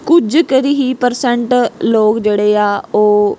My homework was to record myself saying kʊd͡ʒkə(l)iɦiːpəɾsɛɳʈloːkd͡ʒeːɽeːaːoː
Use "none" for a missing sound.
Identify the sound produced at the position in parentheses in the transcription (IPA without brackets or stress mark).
ɾ